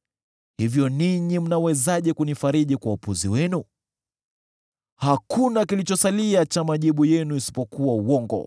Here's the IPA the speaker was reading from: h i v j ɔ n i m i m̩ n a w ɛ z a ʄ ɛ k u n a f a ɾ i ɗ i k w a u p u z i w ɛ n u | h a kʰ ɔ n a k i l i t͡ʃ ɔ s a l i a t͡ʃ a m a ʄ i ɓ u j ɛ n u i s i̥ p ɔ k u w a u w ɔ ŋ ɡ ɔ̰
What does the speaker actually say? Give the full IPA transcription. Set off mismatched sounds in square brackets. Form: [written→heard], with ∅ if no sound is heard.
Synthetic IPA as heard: h i v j ɔ n i [m→ɲ] i m̩ n a w ɛ z a ʄ ɛ k u n [a→i] f a ɾ i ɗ i k w a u p u z i w ɛ n u | h a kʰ [ɔ→u] n a k i l i t͡ʃ ɔ s a l i a t͡ʃ a m a ʄ i ɓ u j ɛ n u i s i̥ p ɔ k u w a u w ɔ ŋ ɡ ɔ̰